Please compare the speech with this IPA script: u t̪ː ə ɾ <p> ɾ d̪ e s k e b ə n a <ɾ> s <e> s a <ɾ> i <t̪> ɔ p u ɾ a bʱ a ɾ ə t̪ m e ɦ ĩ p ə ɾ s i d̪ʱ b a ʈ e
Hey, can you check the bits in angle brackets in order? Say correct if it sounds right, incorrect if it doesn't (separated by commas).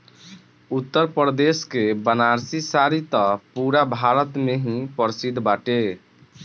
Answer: correct, correct, incorrect, correct, correct